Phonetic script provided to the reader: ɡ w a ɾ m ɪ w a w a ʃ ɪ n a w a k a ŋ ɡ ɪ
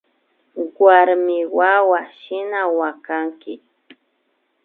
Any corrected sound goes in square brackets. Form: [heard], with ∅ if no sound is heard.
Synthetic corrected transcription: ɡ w a ɾ m ɪ w a w a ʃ ɪ n a w a k a ŋ [k] ɪ

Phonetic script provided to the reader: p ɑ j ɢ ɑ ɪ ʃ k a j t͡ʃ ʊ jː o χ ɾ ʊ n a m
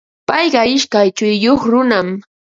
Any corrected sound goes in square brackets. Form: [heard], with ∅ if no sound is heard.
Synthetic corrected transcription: p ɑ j ɢ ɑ ɪ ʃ k a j t͡ʃ ʊ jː o χ ɾ ʊ n a m

